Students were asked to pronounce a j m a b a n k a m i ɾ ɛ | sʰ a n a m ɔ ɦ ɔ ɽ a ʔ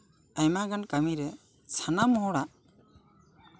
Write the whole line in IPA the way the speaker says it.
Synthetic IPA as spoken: a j m a ɡ a n k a m i ɾ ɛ | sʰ a n a m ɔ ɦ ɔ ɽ a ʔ